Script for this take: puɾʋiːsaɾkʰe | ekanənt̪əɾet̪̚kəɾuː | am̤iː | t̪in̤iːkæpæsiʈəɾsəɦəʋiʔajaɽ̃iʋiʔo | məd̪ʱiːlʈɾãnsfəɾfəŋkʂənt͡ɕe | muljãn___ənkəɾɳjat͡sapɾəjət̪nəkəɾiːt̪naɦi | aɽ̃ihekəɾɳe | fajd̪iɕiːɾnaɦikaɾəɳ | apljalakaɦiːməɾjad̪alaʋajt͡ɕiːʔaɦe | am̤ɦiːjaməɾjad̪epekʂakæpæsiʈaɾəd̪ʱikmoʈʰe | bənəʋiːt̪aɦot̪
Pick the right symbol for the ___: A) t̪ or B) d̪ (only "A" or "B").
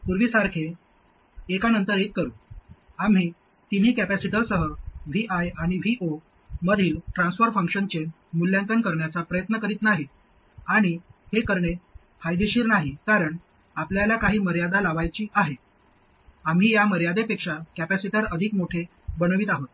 A